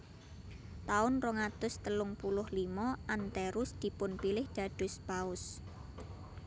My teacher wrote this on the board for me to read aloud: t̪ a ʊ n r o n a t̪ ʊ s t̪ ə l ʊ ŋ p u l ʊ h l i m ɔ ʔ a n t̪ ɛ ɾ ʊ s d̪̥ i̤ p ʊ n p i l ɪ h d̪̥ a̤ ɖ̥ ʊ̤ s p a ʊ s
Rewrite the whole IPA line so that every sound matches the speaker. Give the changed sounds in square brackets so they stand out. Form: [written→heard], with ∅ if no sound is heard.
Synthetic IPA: t̪ a ʊ n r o [n→ŋ] a t̪ ʊ s t̪ ə l ʊ ŋ p u l ʊ h l i m ɔ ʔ a n t̪ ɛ ɾ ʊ s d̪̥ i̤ p ʊ n p i l ɪ h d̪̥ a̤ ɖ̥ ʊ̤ s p a ʊ s